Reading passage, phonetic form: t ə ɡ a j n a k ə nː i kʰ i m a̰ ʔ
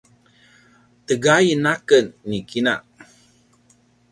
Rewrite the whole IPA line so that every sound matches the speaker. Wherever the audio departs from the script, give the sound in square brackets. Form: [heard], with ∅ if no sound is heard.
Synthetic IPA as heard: t ə ɡ a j n a k ə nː i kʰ i [n] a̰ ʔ